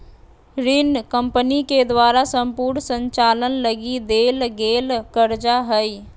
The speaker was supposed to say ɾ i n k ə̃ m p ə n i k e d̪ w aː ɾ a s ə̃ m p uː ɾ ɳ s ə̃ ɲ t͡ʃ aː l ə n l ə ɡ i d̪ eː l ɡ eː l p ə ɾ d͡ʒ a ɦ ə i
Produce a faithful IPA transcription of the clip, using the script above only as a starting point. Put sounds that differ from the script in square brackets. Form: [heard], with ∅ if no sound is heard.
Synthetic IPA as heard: ɾ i n k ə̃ m p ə n i k e d̪ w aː ɾ a s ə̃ m p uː ɾ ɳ s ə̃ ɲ t͡ʃ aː l ə n l ə ɡ i d̪ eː l ɡ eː l [k] ə ɾ d͡ʒ a ɦ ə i